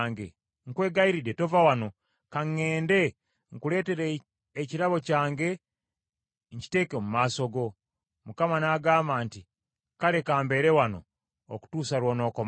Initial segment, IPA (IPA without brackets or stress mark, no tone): ŋ